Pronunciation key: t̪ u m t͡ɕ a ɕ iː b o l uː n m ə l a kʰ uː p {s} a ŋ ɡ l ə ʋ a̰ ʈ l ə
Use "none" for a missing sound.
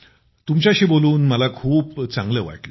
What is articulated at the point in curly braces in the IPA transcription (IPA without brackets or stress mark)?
t͡s